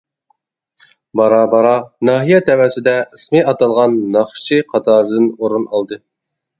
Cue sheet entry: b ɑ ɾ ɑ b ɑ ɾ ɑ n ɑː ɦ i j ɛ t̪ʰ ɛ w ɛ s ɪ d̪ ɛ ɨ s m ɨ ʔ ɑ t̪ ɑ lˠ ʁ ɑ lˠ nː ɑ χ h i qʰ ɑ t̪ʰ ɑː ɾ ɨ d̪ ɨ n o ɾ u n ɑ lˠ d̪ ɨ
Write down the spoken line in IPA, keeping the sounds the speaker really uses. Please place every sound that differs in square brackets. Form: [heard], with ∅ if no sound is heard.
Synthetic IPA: b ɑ ɾ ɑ b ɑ ɾ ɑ n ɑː ɦ i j ɛ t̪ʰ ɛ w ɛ s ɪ d̪ ɛ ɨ s m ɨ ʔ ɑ t̪ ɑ lˠ ʁ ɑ [∅] nː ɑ χ [ʃ] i qʰ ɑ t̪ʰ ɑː ɾ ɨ d̪ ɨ n o ɾ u n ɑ lˠ d̪ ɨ